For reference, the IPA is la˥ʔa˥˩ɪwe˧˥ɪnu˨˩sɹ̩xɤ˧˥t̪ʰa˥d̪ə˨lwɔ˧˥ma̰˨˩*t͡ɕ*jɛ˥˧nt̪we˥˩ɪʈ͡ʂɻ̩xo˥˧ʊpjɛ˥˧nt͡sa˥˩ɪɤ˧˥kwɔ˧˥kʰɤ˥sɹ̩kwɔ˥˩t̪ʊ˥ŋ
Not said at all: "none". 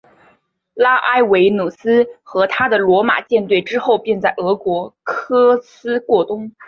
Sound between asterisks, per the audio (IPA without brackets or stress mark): t͡ɕ